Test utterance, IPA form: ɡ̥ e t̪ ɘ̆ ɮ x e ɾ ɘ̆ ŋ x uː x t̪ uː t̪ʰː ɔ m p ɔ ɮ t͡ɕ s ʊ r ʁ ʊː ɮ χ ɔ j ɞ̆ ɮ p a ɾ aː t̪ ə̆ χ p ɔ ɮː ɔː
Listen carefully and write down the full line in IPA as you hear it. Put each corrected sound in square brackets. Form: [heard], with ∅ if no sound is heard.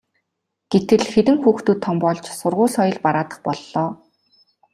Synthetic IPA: ɡ̥ e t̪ ɘ̆ ɮ x e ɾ ɘ̆ ŋ x uː x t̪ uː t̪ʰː ɔ m p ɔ ɮ t͡ɕ s ʊ r ʁ ʊː ɮ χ ɔ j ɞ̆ ɮ p a ɾ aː t̪ ə̆ χ p ɔ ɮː ɔː